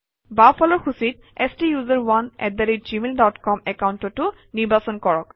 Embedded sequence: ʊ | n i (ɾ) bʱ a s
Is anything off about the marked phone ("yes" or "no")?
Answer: yes